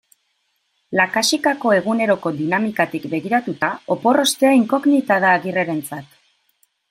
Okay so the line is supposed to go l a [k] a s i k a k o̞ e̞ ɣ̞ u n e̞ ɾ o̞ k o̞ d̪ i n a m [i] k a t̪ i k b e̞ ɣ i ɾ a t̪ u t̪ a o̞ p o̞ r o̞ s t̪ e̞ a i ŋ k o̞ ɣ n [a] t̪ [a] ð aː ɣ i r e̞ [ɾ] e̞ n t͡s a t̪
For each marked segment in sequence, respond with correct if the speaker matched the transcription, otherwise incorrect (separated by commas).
correct, correct, incorrect, correct, correct